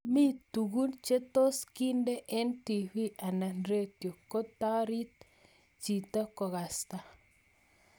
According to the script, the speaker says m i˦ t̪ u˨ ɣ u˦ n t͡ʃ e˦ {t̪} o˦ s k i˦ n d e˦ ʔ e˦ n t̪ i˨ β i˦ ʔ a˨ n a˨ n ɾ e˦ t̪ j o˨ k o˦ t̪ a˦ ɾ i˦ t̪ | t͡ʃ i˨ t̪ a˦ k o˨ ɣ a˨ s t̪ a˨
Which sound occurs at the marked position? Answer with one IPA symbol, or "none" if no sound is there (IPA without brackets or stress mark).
t̪